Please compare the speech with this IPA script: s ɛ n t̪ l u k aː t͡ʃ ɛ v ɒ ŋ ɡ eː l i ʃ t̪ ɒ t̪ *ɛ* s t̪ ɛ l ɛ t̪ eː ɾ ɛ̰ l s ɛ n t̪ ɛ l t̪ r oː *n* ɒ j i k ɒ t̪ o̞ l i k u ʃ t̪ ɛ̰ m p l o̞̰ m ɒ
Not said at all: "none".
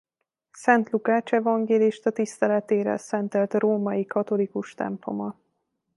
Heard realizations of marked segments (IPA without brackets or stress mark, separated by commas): i, m